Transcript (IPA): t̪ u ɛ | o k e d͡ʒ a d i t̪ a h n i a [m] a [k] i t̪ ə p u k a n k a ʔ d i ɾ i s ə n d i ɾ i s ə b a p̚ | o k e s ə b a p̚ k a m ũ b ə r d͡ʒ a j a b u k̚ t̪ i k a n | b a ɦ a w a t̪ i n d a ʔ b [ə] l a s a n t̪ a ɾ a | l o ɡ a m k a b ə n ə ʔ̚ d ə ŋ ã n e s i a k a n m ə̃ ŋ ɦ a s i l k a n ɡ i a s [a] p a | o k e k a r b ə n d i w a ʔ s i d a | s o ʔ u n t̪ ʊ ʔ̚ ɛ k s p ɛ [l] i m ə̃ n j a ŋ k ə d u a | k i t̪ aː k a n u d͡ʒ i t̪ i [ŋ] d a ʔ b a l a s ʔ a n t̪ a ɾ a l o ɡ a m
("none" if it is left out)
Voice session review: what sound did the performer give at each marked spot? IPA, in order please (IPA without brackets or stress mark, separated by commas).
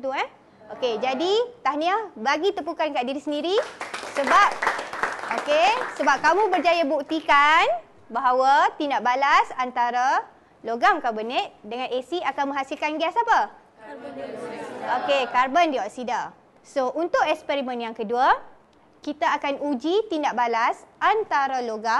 b, ɡ, a, a, ɾ, n